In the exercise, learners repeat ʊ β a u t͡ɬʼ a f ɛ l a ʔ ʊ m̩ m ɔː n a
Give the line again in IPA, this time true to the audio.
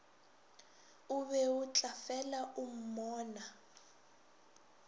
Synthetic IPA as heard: u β ɛ u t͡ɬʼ a f ɛ l a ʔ u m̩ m ɔː n a

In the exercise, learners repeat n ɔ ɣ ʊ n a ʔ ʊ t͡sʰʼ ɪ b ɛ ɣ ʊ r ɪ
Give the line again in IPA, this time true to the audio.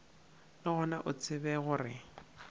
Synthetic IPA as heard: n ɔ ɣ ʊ n a ʔ ʊ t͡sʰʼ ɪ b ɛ ɣ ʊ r ɪ

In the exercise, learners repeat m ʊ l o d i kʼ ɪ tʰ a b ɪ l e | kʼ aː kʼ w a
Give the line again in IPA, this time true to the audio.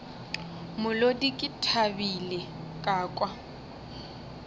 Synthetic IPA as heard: m ʊ l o d i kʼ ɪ tʰ a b i l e | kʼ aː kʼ w a

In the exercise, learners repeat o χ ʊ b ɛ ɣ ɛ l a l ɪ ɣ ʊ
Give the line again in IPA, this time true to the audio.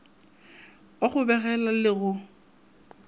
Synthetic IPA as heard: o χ ʊ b ɛ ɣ ɛ l a l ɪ ɣ ʊ

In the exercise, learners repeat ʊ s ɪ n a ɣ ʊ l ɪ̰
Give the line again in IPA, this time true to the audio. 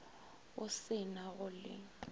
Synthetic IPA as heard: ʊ s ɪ n a ɣ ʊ l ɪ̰

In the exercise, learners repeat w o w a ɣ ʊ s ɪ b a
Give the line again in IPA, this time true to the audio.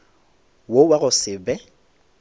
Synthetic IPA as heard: w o w a ɣ ʊ s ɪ b ɛ

